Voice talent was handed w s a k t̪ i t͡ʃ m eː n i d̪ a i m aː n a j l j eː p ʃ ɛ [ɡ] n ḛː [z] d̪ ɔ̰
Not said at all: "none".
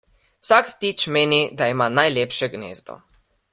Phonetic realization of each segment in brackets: ɡ, z

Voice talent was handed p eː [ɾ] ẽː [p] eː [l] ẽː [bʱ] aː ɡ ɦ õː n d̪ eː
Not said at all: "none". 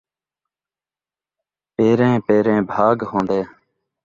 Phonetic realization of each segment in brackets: ɾ, p, ɾ, bʱ

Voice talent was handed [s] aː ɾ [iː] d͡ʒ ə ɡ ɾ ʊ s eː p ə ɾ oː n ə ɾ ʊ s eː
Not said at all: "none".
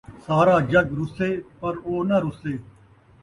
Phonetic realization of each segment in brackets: s, aː

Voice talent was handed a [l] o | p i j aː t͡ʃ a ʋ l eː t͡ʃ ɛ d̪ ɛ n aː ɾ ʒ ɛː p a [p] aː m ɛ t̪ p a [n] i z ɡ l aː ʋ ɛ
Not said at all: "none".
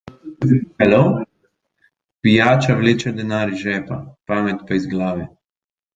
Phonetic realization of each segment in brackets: l, p, none

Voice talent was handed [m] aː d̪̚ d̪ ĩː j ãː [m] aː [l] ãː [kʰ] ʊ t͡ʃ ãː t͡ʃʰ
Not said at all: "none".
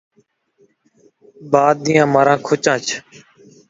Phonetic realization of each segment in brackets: b, m, ɾ, kʰ

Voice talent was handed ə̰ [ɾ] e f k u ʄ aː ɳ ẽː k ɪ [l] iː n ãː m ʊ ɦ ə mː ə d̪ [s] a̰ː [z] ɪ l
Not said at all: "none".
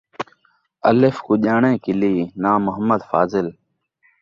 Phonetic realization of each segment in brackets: l, l, f, z

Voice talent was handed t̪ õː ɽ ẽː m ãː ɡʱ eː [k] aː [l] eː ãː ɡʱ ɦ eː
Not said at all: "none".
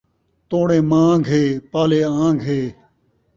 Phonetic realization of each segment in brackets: p, l

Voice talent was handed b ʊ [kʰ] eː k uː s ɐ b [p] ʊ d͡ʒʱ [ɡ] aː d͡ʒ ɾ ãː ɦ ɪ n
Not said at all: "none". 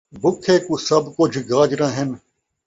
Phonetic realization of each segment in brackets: kʰ, k, ɡ

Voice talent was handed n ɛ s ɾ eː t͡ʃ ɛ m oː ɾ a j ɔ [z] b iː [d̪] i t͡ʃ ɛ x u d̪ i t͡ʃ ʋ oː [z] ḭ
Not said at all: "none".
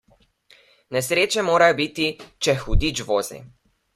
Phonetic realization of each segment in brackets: none, t̪, z

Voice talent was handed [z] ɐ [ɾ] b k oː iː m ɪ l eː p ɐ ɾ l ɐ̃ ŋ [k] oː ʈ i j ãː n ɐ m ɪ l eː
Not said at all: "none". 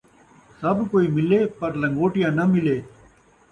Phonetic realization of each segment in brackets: s, none, ɡ

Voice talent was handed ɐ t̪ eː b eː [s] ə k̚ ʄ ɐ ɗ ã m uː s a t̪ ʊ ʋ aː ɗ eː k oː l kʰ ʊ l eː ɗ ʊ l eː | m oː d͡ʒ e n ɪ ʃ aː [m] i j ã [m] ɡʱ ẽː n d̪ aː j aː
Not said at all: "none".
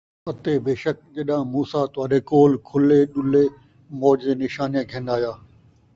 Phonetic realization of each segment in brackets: ʃ, n, none

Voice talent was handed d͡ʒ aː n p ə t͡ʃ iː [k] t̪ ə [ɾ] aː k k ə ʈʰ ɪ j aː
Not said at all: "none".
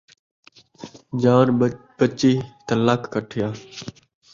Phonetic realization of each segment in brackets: none, l

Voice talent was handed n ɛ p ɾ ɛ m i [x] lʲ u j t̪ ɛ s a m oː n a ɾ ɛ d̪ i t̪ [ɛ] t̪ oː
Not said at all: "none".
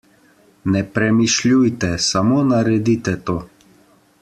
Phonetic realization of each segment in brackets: ʃ, ɛ

